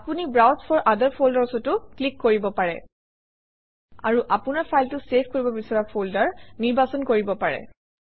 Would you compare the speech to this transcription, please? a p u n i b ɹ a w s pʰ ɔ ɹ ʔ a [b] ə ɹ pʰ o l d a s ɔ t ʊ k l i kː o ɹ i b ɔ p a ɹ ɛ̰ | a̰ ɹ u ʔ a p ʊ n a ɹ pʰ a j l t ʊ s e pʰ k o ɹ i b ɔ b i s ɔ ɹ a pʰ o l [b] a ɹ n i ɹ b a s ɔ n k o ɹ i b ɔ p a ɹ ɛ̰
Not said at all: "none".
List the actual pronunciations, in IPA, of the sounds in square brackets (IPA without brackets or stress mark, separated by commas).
d, d